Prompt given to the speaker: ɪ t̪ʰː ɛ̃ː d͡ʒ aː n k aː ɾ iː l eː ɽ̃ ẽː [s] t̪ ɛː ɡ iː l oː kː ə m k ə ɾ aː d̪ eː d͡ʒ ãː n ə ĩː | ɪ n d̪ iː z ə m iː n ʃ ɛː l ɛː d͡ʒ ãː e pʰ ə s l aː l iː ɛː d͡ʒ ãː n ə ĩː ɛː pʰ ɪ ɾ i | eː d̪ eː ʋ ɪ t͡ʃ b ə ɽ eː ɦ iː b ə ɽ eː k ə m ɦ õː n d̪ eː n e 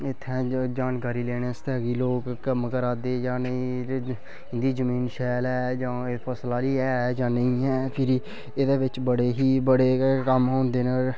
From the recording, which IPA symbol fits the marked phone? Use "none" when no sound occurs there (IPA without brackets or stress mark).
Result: s